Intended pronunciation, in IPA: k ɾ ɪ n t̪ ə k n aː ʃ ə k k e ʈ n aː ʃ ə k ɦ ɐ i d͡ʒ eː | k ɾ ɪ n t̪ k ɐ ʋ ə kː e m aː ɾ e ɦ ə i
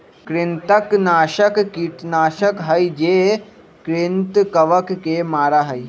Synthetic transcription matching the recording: k ɾ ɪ n t̪ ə k n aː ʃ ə k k i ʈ n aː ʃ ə k ɦ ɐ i d͡ʒ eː | k ɾ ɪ n t̪ k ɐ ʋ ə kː e m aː ɾ a ɦ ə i